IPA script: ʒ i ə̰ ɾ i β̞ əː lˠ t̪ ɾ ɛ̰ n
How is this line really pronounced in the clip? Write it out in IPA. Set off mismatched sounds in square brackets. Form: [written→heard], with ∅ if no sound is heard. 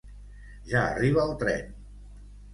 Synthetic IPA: ʒ [i→a] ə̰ [ɾ→r] i β̞ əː lˠ t̪ ɾ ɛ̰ n